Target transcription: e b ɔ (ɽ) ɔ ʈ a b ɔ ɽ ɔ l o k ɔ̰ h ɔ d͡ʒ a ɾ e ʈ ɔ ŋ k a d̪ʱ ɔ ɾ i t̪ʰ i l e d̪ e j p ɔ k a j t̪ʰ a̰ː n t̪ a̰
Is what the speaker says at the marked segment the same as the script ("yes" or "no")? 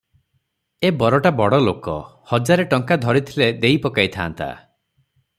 no